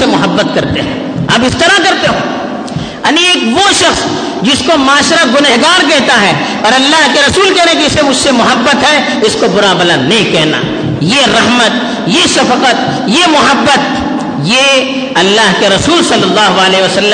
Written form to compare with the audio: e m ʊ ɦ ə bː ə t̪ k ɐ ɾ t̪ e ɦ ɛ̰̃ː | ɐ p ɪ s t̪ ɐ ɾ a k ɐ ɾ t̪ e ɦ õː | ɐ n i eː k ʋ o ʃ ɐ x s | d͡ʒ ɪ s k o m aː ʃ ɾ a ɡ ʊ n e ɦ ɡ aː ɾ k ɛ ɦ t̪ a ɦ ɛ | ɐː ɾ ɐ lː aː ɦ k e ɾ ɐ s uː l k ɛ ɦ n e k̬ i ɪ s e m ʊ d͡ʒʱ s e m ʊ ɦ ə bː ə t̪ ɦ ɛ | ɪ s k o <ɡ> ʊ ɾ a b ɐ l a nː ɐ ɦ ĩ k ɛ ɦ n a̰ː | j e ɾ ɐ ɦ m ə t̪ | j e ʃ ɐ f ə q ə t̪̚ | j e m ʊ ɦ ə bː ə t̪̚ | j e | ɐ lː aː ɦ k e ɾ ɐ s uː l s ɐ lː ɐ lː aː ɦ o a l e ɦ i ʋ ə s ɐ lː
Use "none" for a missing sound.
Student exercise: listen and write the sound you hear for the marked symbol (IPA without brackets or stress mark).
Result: b